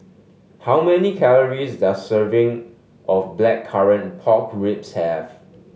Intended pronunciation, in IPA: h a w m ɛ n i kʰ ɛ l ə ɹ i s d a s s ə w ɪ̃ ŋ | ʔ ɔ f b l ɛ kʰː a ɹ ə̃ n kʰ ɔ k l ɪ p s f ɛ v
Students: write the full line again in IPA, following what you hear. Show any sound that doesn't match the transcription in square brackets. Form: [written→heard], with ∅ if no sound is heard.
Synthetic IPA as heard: h a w m ɛ n i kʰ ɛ l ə ɹ i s d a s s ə [w→v] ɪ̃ ŋ | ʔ ɔ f b l ɛ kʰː a ɹ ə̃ n [kʰ→pʰ] ɔ k [l→ɹ] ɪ p s [f→h] ɛ v

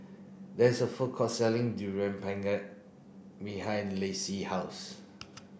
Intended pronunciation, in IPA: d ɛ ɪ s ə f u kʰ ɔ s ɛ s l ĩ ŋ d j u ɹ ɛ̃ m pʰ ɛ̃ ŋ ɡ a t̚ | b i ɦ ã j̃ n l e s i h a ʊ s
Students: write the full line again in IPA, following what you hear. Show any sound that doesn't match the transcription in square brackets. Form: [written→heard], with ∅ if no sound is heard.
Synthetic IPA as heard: d ɛ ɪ s ə f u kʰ ɔ s ɛ [s→∅] l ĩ ŋ d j u ɹ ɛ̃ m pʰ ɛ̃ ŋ ɡ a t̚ | b i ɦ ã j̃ n l e s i h a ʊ s

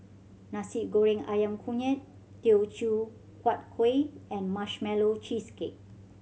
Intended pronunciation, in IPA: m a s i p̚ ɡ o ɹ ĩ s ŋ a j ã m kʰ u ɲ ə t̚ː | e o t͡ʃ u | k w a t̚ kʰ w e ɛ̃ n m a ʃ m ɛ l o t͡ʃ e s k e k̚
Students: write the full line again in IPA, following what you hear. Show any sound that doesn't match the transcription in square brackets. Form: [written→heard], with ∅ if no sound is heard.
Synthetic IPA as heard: [m→n] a s i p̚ ɡ o ɹ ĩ [s→∅] ŋ a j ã m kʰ u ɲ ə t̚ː | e o t͡ʃ u | k w a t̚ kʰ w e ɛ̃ n m a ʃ m ɛ l o t͡ʃ [e→i] s k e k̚

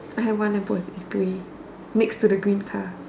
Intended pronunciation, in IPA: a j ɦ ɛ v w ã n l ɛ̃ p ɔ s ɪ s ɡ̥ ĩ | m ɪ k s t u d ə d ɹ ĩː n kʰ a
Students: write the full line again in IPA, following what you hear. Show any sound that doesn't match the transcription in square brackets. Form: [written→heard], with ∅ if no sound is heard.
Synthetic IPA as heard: a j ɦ ɛ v w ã n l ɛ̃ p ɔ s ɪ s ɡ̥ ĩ | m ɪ k s t u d ə [d→ɡ] ɹ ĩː n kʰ a

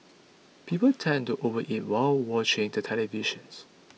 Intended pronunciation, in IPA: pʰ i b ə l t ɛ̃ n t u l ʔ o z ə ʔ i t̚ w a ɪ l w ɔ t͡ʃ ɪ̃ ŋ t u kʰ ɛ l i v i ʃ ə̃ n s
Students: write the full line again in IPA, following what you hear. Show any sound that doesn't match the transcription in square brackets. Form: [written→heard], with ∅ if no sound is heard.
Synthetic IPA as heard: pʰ i [b→p] ə l [t→tʰ] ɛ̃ n t u [l→∅] ʔ o [z→v] ə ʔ i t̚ w a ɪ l w ɔ t͡ʃ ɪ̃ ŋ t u [kʰ→tʰ] ɛ l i v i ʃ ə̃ n s

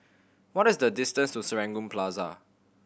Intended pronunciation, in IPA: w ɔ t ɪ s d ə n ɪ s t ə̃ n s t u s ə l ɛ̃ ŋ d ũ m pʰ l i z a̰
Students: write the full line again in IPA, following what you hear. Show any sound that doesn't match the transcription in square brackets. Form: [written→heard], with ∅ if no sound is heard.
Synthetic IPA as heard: w ɔ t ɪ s d ə [n→d] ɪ s t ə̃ n s t u s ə [l→ɹ] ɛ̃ ŋ [d→ɡ] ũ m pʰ l [i→a] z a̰

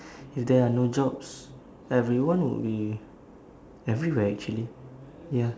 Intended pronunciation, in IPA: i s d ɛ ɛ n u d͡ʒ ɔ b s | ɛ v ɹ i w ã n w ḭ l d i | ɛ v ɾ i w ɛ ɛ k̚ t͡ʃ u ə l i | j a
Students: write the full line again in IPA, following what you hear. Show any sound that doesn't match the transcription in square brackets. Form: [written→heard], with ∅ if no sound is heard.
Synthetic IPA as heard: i [s→f] d ɛ [ɛ→a] n [u→o] d͡ʒ ɔ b s | ɛ v ɹ i w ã n w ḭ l [d→b] i | ɛ v [ɾ→ɹ] i w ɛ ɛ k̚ t͡ʃ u ə l i | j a

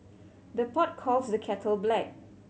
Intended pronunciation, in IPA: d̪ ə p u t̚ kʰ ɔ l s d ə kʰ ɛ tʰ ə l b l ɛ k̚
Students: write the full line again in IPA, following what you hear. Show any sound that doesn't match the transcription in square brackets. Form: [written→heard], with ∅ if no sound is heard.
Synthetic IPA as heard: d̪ ə p [u→ɔ] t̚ kʰ ɔ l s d ə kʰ ɛ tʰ ə l b l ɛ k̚

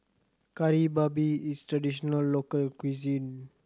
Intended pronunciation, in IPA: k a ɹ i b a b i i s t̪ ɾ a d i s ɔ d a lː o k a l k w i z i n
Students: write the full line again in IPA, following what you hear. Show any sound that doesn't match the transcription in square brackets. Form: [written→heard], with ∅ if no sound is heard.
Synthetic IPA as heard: k a [ɹ→ɾ] i b a b i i s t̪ ɾ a d i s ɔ [d→n] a lː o k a l k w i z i n

